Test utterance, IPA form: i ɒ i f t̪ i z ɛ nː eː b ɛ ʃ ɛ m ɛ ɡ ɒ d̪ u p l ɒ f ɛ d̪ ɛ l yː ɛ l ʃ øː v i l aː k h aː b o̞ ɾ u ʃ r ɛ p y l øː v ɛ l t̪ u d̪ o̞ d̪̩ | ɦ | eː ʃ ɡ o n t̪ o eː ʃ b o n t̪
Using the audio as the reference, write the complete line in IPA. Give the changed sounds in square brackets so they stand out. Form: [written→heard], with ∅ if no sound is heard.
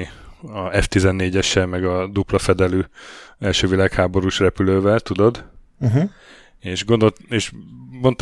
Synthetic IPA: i ɒ [i→ɛ] f t̪ i z ɛ nː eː [b→ɟ] ɛ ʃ ɛ m ɛ ɡ ɒ d̪ u p l ɒ f ɛ d̪ ɛ l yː ɛ l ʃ øː v i l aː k h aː b o̞ ɾ u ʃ r ɛ p y l øː v ɛ l t̪ u d̪ o̞ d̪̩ | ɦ | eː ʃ ɡ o n [t̪→d̪] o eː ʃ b o n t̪